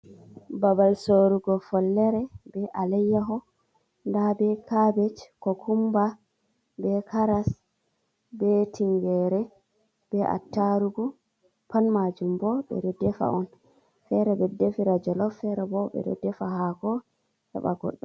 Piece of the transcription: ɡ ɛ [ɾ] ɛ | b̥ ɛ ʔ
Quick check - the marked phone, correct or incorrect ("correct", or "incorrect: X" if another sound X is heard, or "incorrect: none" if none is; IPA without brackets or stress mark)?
correct